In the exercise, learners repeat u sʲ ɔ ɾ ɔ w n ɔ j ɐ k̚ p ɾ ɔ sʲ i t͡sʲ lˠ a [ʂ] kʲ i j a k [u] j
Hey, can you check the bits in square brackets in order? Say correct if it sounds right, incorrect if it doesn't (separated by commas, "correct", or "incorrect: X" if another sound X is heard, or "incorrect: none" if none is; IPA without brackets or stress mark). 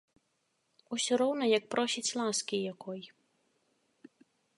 incorrect: s, incorrect: ɔ